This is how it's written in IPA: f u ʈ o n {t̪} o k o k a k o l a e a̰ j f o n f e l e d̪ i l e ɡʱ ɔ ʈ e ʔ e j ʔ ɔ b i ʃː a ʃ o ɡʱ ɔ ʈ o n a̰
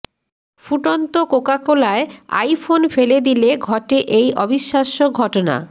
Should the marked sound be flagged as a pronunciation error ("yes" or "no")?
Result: no